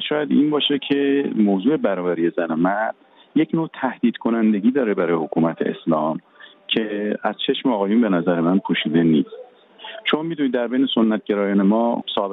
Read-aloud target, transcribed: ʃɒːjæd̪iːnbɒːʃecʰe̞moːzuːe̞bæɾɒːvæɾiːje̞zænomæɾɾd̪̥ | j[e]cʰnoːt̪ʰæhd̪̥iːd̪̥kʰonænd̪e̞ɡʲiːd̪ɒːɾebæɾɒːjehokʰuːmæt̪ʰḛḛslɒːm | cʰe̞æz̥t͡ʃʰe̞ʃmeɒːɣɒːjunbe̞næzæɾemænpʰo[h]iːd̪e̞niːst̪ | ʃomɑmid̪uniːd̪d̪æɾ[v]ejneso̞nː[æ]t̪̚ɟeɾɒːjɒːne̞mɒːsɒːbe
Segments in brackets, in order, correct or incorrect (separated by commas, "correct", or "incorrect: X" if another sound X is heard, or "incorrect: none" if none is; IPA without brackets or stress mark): correct, incorrect: ʃ, incorrect: b, correct